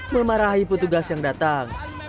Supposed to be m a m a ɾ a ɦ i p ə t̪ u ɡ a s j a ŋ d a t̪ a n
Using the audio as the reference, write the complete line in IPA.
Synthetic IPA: m ə m a ɾ a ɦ i p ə t̪ u ɡ a s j a ŋ d a t̪ a ŋ